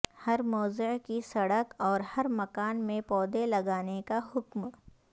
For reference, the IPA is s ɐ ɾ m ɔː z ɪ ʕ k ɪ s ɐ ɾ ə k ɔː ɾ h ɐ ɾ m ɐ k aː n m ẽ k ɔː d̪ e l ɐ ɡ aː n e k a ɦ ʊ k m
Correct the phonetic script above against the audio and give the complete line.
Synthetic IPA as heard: h ɐ ɾ m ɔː z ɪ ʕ k i s ɐ ɽ ə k ɔː ɾ h ɐ ɾ m ɐ k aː n m ẽ p ɔː d̪ e l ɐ ɡ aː n e k a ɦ ʊ k m